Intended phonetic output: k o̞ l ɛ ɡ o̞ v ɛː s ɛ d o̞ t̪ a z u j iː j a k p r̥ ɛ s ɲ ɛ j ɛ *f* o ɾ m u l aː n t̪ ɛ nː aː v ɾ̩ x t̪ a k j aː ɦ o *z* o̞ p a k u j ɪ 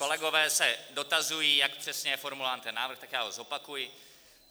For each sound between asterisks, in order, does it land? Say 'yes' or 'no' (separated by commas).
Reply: yes, yes